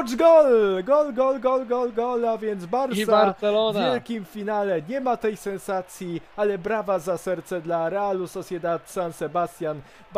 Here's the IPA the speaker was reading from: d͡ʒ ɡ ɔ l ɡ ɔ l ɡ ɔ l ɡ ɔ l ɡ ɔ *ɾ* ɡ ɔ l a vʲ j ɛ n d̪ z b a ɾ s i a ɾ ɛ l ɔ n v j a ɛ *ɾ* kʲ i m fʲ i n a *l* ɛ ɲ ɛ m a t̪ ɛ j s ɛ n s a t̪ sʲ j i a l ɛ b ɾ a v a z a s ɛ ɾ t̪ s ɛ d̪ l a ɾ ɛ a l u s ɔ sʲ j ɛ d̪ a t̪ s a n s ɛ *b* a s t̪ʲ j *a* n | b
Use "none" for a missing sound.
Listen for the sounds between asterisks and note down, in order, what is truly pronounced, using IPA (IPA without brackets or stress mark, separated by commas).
l, l, l, b, a